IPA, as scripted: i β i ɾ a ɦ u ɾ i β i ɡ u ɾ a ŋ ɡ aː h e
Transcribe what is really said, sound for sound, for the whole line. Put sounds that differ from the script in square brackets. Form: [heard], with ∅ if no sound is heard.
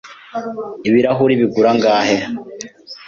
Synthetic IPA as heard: i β i ɾ a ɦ u ɾ i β i ɡ u ɾ a ŋ ɡ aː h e